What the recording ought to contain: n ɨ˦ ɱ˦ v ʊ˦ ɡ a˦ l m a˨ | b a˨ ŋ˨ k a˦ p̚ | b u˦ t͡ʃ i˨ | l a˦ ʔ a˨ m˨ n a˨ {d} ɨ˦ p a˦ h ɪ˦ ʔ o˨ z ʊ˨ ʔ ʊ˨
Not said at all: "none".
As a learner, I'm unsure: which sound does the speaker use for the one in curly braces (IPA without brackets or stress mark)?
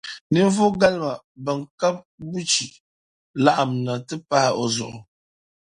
t